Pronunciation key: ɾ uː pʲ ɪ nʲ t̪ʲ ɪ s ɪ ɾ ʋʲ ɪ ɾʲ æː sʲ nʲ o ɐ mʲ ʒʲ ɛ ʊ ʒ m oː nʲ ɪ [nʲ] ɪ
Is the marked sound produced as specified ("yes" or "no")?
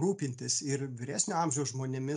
no